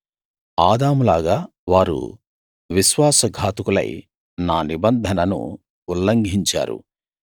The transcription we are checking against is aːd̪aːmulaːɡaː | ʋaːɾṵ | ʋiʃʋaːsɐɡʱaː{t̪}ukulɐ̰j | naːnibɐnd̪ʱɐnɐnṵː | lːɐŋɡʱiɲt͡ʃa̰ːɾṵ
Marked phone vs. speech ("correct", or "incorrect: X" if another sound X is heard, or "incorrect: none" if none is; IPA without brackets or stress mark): correct